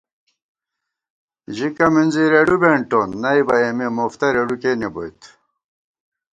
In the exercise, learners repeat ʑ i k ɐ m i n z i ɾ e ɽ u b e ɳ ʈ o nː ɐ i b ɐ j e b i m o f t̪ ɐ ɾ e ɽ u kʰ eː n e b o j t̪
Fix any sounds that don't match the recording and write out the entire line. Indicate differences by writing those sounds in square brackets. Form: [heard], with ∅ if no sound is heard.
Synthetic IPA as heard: ʑ i k ɐ m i n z i ɾ e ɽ u b e ɳ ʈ o nː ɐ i b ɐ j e [m] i m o f t̪ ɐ ɾ e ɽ u [k] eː n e b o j t̪